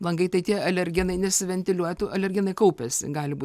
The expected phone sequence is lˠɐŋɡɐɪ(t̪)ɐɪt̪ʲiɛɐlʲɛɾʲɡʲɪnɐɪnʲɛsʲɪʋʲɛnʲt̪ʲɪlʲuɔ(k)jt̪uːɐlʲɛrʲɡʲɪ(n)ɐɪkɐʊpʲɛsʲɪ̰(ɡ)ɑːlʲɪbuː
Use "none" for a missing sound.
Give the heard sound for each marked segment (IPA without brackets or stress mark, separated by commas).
t̪, none, n, ɡ